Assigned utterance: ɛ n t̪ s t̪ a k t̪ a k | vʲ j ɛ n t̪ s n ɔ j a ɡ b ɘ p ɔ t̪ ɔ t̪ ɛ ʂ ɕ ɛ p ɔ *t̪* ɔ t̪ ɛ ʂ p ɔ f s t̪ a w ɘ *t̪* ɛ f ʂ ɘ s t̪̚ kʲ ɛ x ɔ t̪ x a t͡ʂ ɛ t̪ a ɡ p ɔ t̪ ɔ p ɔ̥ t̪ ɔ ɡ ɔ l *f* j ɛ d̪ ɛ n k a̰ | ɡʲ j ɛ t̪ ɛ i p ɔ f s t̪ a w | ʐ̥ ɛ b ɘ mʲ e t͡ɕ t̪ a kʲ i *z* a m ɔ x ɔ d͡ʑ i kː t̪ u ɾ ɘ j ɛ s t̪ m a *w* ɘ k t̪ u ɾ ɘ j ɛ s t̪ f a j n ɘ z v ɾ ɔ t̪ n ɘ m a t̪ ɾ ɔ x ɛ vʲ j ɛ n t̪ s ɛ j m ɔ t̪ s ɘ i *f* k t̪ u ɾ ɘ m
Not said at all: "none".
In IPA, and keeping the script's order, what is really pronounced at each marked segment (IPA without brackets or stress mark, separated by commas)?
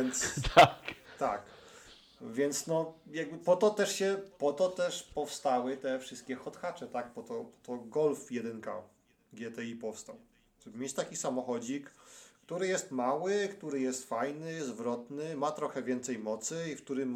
t̪, t̪, f, s, w, f